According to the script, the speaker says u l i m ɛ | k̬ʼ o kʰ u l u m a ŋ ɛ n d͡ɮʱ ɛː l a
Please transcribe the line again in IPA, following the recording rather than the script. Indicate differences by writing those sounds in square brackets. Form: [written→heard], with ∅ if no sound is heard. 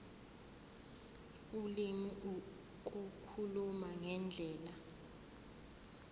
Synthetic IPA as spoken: u l i m [ɛ→i] | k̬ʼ [o→u] kʰ u l u m a ŋ ɛ n d͡ɮʱ ɛː l a